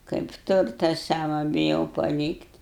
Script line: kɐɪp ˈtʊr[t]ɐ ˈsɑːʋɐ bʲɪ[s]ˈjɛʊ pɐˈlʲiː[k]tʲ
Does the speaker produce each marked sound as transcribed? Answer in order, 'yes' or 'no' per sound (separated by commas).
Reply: yes, no, yes